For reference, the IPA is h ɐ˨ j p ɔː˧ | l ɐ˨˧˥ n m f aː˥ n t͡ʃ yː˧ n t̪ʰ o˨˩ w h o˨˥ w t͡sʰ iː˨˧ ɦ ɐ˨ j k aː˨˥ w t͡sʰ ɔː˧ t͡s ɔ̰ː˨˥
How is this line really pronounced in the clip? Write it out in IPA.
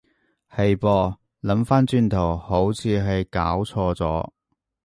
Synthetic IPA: h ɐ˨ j p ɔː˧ | l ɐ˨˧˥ m f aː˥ n t͡ʃ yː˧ n t̪ʰ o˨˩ w h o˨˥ w t͡sʰ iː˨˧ ɦ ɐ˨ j k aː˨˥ w t͡sʰ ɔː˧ t͡s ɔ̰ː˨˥

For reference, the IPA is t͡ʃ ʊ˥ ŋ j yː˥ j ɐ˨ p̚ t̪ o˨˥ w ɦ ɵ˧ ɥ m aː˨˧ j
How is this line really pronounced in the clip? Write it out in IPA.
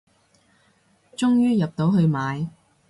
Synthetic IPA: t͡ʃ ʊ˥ ŋ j yː˥ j ɐ˨ p̚ t̪ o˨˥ w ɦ ɵ˧ ɥ m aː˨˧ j

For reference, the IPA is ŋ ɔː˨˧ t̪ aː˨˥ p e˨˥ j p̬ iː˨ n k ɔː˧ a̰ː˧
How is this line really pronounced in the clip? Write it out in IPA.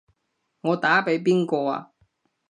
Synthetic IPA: ŋ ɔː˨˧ t̪ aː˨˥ p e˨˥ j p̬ iː˥ n k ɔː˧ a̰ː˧

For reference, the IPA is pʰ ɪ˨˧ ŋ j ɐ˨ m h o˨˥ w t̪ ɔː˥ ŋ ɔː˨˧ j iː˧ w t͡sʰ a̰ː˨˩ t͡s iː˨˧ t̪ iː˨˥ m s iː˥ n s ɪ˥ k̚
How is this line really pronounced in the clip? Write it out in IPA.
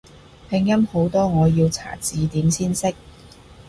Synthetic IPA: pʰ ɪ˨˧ ŋ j ɐ˥ m h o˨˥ w t̪ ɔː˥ ŋ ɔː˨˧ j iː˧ w t͡sʰ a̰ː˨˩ t͡s iː˨˧ t̪ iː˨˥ m s iː˥ n s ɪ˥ k̚

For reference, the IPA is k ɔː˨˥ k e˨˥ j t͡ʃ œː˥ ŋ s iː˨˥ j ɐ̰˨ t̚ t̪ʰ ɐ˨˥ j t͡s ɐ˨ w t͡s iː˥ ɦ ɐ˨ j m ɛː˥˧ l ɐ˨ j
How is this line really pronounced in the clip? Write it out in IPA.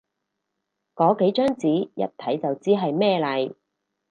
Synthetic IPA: k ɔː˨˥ k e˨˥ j t͡ʃ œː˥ ŋ t͡s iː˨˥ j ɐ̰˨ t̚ t̪ʰ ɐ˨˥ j t͡s ɐ˨ w t͡s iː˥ ɦ ɐ˨ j m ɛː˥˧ l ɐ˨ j

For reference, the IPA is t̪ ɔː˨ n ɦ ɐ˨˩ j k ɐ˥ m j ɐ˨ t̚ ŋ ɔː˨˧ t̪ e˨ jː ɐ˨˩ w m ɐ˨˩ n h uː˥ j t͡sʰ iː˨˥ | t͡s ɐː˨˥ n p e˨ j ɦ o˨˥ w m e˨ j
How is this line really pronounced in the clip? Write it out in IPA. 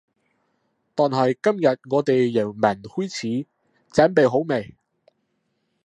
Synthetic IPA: t̪ ɔː˨ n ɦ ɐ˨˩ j k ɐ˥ m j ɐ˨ t̚ ŋ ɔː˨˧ t̪ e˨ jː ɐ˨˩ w m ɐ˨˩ n h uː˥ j t͡sʰ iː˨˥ | t͡s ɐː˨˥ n p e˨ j ɦ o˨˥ w m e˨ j

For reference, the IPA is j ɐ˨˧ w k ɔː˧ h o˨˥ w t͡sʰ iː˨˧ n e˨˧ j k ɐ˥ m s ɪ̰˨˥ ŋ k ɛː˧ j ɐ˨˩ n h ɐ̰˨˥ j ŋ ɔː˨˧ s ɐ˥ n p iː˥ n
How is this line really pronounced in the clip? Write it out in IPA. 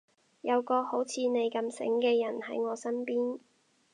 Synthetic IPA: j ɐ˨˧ w k ɔː˧ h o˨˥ w t͡sʰ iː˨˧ n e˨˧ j k ɐ˧ m s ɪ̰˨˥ ŋ k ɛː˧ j ɐ˨˩ n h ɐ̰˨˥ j ŋ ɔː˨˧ s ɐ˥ n p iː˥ n

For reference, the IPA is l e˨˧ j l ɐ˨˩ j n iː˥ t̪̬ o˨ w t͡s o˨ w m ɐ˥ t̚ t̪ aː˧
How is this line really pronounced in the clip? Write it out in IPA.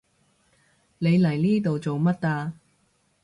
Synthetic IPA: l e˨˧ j l ɐ˨˩ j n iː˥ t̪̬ o˨ w t͡s o˨ w m ɐ˥ t̚ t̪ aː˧

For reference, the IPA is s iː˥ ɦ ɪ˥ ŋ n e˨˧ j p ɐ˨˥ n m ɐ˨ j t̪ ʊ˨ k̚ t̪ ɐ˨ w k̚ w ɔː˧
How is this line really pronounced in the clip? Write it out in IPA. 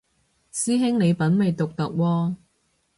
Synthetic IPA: s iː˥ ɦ ɪ˥ ŋ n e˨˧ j p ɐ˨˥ n m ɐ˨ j t̪ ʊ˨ k̚ t̪ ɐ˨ k̚ w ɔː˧

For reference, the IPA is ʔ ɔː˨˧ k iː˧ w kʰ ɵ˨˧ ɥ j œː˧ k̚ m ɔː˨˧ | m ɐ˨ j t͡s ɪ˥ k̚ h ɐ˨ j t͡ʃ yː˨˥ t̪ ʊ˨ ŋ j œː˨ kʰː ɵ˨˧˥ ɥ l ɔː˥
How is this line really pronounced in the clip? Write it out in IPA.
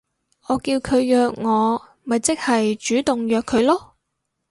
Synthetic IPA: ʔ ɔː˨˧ k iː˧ w kʰ ɵ˨˧ ɥ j œː˧ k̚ ŋ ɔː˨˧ | m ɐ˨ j t͡s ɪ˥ k̚ h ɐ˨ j t͡ʃ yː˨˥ t̪ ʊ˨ ŋ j œː˨ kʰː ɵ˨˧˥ ɥ l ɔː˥

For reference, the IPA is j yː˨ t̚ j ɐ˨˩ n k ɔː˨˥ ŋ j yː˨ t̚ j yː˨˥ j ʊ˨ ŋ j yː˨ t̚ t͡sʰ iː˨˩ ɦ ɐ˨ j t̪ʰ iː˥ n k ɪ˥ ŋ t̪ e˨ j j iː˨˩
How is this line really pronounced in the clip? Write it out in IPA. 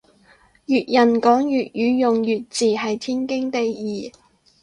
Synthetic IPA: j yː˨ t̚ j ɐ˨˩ n k ɔː˨˥ ŋ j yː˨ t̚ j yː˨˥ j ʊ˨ ŋ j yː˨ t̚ t͡s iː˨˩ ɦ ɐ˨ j t̪ʰ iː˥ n k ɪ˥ ŋ t̪ e˨ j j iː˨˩

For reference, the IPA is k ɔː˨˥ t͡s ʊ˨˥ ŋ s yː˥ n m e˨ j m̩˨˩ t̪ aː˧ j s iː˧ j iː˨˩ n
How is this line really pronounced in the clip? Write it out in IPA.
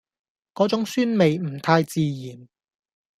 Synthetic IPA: k ɔː˨˥ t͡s ʊ˨˥ ŋ s yː˥ n m e˨ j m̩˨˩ t̪ʰ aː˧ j t͡s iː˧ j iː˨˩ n

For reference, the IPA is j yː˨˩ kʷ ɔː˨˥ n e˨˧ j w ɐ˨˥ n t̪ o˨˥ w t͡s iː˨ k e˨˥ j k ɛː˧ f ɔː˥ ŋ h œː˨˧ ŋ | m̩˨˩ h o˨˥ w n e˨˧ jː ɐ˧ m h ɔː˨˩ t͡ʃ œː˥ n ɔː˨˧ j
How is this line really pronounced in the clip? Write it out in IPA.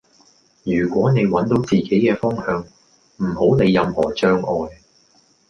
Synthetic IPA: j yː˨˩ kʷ ɔː˨˥ n e˨˧ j w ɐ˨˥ n t̪ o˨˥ w t͡s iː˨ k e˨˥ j k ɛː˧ f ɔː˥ ŋ h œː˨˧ ŋ | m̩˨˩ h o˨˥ w n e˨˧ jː ɐ˧ m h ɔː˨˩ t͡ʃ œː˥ ŋ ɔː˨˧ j

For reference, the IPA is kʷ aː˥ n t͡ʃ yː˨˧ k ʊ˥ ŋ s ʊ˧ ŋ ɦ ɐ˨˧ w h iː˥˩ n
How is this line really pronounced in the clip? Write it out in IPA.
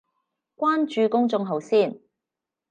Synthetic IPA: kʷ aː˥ n t͡ʃ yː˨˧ k ʊ˥ ŋ t͡s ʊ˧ ŋ ɦ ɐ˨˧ w s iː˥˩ n

